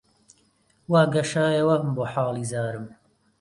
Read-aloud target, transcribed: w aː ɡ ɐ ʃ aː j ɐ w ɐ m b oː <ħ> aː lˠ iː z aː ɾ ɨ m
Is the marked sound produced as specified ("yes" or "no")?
yes